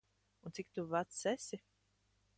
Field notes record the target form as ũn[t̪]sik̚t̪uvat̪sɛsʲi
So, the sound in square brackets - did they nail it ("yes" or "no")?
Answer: yes